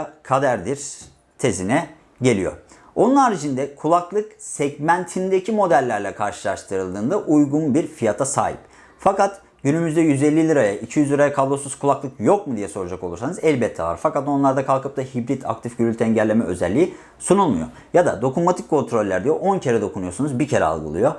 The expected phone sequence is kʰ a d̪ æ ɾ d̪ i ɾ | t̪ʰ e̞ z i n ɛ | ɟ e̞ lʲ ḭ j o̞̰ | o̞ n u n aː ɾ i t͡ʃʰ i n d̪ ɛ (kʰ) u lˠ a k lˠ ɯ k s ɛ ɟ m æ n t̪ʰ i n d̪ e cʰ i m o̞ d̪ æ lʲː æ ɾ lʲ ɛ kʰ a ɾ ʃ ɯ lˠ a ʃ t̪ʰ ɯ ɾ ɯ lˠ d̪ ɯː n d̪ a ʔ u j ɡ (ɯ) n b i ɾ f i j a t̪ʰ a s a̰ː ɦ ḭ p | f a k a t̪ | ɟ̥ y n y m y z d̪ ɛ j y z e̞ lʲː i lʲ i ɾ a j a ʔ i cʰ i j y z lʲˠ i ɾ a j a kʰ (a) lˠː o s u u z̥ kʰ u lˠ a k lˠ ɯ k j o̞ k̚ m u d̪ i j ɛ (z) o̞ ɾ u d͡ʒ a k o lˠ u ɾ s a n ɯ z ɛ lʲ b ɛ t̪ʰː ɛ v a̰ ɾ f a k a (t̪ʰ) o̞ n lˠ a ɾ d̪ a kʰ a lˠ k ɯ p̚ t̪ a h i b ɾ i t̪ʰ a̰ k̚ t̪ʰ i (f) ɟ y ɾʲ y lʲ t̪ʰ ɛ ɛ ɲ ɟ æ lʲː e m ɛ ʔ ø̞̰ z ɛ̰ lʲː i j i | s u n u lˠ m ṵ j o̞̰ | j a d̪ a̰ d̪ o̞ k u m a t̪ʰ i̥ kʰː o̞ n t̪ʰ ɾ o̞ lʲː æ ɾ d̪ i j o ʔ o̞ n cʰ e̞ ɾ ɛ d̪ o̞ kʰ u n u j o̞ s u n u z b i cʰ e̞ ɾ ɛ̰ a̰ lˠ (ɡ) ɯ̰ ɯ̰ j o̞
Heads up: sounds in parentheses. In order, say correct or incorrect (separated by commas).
correct, incorrect, correct, incorrect, incorrect, correct, correct